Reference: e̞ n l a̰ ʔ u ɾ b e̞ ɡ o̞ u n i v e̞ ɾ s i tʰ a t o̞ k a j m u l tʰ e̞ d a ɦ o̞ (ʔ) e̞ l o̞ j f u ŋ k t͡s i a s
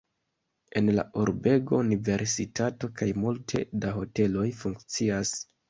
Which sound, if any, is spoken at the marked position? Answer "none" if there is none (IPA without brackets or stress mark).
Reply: t